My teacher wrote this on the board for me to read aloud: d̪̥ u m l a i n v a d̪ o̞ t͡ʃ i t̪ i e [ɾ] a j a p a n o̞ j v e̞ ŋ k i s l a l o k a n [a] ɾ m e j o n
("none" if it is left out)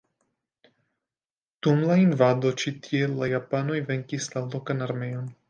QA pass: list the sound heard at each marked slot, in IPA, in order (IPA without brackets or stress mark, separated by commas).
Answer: l, a